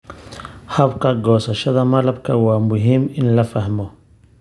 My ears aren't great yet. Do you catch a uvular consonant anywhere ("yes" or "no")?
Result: no